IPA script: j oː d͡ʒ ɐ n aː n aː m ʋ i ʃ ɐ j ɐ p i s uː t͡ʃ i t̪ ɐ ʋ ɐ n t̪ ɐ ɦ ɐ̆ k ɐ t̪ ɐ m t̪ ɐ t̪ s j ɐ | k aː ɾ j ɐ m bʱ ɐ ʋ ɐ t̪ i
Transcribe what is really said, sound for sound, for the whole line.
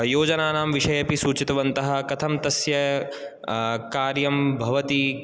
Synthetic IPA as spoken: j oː d͡ʒ ɐ n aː n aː m ʋ i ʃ ɐ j ɐ p i s uː t͡ʃ i t̪ ɐ ʋ ɐ n t̪ ɐ ɦ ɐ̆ k ɐ t̪ʰ ɐ m t̪ ɐ s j ɐ | k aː ɾ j ɐ m bʱ ɐ ʋ ɐ t̪ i